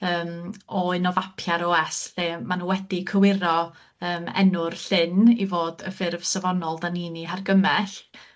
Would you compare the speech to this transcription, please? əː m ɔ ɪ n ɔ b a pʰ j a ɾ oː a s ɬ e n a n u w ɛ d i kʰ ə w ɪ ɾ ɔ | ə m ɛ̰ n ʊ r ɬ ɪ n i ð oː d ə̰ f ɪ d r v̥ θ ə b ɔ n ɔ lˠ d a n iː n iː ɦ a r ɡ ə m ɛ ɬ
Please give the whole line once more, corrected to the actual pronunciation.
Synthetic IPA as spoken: əː m ɔ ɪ n ɔ v a pʰ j a ɾ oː ɛ s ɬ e m a n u w ɛ d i kʰ ə w ɪ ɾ ɔ | əː m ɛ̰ n ʊ r ɬ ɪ n i v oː d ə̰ f ɪ r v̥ s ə v ɔ n ɔ lˠ d a n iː n i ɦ a r ɡ ə m ɛ ɬ